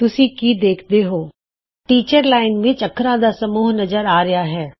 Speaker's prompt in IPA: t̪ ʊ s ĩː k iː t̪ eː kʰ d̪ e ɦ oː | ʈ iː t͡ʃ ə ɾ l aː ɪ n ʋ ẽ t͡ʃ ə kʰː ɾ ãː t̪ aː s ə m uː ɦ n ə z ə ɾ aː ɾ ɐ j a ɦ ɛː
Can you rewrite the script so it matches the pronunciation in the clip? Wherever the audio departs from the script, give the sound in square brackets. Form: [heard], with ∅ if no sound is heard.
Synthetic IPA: t̪ ʊ s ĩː k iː [d̪] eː kʰ d̪ e ɦ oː | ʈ iː t͡ʃ ə ɾ l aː ɪ n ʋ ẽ t͡ʃ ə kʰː ɾ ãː [d̪] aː s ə m uː ɦ n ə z ə ɾ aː ɾ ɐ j a ɦ ɛː